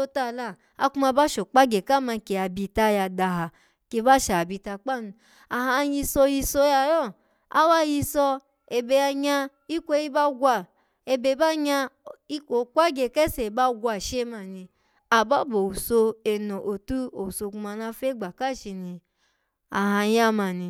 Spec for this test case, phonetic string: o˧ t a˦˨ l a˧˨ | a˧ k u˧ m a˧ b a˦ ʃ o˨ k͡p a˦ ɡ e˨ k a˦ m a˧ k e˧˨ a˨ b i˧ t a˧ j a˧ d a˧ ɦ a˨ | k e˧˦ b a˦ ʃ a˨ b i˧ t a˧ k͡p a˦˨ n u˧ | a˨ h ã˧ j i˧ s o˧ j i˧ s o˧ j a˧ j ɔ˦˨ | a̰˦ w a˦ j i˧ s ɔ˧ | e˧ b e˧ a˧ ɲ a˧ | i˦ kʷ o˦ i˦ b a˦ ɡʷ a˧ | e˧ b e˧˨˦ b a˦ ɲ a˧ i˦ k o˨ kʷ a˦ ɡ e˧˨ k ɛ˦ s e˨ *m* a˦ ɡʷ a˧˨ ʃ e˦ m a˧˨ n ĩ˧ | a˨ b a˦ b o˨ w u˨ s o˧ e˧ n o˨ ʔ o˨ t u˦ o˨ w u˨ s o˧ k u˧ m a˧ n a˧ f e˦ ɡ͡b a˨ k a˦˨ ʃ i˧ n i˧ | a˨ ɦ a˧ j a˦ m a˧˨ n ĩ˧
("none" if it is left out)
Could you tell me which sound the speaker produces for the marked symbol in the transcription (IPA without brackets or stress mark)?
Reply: b